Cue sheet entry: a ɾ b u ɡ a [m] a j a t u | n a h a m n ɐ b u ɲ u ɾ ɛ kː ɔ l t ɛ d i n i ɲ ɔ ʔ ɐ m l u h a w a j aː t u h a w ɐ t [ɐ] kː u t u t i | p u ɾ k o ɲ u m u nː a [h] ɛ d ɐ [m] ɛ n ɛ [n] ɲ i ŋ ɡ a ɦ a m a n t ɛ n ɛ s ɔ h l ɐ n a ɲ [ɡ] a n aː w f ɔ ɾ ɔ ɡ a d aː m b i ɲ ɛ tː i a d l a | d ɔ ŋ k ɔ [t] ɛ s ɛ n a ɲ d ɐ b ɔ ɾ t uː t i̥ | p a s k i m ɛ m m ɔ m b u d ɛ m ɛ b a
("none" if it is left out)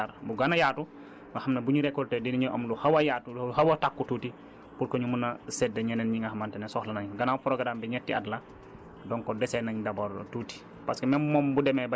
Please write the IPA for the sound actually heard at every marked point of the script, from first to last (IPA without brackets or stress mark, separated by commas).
n, a, s, ɲ, n, ɡ, d